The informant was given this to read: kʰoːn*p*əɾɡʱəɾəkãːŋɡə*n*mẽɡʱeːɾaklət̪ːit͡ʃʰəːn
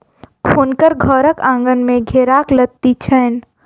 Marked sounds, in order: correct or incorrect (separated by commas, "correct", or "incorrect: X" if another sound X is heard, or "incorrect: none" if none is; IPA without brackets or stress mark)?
incorrect: k, correct